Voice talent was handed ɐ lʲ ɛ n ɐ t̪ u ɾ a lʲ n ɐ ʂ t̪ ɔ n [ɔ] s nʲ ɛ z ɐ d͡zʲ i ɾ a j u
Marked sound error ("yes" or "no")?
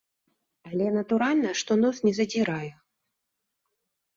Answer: no